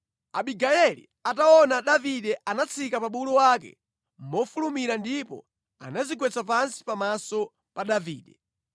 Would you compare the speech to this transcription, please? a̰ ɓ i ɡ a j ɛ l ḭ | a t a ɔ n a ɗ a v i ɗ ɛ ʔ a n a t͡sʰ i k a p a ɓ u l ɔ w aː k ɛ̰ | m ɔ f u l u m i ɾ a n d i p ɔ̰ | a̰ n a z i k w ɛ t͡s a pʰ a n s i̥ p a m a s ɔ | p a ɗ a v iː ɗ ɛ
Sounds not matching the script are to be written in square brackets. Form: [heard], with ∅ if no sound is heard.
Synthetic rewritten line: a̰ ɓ i ɡ a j ɛ l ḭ | a t a ɔ n a ɗ a v i ɗ ɛ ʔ a n a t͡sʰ i k a p a ɓ u l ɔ w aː k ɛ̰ | m ɔ f u l u m i ɾ a n d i p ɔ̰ | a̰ n a z i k w ɛ t͡s a [p] a n s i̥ p a m a s ɔ | p a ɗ a v iː ɗ ɛ